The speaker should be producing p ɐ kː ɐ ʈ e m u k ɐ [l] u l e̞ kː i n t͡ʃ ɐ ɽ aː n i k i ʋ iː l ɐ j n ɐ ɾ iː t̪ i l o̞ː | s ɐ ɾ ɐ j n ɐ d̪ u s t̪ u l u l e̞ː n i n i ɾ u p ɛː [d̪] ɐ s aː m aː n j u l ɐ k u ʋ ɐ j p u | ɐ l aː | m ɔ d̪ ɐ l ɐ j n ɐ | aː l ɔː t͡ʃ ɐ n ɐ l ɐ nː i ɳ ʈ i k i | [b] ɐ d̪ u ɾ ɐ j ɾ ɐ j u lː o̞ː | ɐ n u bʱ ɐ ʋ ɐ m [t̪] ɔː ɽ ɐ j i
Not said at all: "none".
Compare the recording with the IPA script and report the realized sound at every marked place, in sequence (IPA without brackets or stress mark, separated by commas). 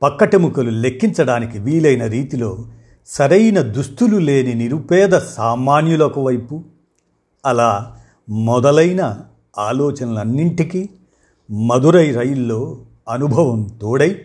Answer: l, d̪, m, t̪